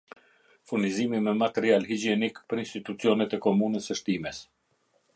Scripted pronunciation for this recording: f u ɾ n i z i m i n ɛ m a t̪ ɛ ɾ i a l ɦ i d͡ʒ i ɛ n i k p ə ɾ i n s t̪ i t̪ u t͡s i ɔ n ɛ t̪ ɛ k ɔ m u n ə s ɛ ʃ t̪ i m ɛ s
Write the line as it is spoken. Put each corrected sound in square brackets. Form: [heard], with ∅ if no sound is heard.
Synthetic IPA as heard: f u ɾ n i z i m i [m] ɛ m a t̪ ɛ ɾ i a l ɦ i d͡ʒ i ɛ n i k p ə ɾ i n s t̪ i t̪ u t͡s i ɔ n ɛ t̪ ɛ k ɔ m u n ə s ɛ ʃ t̪ i m ɛ s